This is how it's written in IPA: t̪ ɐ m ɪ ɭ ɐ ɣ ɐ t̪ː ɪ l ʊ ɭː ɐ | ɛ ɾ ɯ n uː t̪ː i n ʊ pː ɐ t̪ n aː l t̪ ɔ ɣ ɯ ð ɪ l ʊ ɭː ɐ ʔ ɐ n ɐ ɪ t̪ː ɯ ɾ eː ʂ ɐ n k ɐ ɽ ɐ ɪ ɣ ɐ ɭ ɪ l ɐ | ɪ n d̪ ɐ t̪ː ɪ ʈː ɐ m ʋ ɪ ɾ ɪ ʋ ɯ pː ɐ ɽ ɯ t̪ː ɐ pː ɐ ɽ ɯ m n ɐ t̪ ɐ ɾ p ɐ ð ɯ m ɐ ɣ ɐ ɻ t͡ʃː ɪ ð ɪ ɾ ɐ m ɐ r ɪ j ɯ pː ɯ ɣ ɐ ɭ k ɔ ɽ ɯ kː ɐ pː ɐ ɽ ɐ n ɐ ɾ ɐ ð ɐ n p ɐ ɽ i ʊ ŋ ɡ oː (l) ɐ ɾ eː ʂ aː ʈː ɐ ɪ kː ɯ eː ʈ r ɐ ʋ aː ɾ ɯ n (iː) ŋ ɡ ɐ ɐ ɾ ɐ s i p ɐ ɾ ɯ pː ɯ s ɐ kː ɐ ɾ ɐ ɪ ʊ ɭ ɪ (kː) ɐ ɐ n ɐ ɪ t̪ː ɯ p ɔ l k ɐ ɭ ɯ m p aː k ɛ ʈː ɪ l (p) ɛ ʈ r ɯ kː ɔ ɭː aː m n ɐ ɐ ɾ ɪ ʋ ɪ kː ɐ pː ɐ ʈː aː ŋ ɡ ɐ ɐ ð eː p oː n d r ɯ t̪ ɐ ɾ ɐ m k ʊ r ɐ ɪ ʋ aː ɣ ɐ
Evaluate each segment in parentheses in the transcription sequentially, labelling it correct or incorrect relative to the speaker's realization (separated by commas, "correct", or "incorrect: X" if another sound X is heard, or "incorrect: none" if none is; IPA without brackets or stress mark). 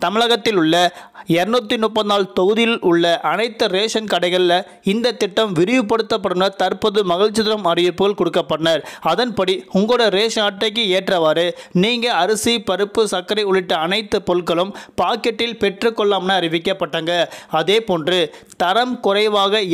incorrect: ɽ, correct, incorrect: ʈː, correct